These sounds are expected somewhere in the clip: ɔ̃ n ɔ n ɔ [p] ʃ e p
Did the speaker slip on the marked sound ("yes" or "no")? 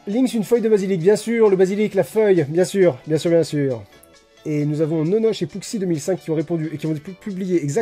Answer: yes